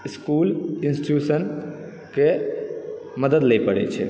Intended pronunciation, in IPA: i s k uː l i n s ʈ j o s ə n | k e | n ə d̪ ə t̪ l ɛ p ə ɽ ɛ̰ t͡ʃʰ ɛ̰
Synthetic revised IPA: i s k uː l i n s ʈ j u s ə n | k e | m ə d̪ ə d̪ l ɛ p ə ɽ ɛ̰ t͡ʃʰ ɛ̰